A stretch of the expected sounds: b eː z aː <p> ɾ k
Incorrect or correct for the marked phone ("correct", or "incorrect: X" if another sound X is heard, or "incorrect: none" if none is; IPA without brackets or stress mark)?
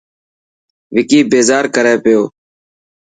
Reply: incorrect: none